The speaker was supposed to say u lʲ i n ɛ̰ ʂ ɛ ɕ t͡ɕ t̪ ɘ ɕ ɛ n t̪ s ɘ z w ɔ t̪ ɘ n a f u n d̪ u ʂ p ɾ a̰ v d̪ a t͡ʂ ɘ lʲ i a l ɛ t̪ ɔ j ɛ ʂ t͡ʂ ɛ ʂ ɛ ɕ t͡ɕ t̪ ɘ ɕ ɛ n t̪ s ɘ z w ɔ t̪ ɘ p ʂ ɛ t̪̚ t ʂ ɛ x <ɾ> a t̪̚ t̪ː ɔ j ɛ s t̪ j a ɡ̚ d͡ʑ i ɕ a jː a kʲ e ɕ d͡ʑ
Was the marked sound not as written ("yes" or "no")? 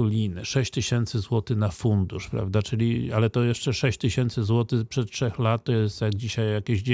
yes